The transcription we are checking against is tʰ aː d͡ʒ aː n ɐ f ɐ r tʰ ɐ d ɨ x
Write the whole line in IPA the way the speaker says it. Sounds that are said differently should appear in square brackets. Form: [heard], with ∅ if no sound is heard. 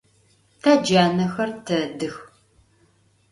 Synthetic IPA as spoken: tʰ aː d͡ʒ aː n ɐ [x] ɐ r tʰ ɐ d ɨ x